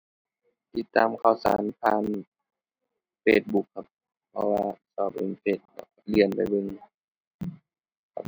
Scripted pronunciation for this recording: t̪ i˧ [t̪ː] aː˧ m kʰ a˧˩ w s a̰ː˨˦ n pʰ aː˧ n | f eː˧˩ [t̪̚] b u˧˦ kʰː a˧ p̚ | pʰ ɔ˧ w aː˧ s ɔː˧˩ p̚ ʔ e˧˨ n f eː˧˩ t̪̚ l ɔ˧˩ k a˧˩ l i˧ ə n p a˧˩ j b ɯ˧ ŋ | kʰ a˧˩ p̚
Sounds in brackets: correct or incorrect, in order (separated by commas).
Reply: correct, correct